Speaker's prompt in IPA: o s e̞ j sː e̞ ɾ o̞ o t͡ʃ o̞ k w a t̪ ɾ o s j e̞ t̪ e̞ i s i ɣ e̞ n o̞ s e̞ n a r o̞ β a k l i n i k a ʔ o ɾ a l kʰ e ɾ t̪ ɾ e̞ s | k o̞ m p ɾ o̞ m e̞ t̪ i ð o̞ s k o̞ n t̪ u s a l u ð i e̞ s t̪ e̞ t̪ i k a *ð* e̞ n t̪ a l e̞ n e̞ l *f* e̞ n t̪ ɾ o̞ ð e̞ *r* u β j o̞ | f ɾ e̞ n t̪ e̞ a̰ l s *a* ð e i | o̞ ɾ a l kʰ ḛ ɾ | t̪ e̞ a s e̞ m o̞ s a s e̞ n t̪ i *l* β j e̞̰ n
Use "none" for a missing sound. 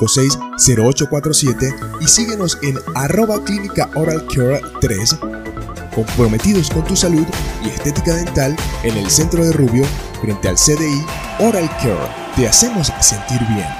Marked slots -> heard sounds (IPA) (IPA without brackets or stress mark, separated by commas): ð, s, r, e, ɾ